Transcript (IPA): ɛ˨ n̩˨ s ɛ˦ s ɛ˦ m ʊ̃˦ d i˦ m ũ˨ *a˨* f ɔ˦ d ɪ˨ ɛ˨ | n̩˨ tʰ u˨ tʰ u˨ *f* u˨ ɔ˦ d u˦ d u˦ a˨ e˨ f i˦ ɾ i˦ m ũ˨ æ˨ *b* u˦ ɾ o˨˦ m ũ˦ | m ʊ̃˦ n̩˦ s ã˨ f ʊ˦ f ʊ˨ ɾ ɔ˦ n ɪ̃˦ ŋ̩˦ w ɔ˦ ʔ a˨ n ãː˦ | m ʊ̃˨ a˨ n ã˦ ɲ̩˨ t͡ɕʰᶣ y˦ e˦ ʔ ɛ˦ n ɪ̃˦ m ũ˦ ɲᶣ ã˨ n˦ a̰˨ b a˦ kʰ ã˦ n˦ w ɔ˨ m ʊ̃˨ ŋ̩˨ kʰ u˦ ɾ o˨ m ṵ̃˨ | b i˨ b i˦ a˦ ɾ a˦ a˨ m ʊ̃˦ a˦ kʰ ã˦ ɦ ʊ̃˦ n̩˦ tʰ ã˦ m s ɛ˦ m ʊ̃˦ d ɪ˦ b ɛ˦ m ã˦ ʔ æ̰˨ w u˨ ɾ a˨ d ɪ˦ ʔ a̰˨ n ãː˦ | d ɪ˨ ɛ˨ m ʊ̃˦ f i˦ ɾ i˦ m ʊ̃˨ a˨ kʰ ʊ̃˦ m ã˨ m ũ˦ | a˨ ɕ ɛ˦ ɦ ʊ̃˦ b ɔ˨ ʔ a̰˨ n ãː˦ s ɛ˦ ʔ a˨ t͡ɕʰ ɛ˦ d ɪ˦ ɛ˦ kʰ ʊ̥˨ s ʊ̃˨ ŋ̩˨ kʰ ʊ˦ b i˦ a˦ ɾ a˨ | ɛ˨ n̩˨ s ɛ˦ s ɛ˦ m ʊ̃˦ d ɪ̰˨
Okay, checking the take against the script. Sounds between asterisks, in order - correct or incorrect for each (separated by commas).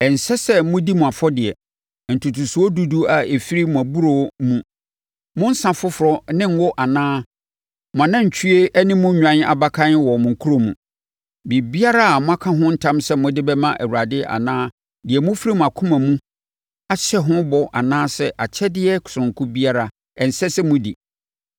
correct, incorrect, correct